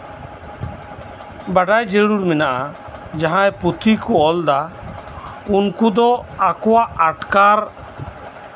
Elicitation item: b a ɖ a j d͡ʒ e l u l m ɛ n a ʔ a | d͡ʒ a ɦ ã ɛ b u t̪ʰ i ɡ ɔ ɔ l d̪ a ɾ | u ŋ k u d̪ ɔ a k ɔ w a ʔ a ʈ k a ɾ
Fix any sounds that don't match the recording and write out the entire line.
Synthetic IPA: b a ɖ a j d͡ʒ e ɽ u ɾ m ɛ n a ʔ a | d͡ʒ a ɦ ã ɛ p u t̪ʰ i k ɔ ɔ l d̪ a | u n k u d̪ ɔ a k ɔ w a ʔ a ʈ k a ɾ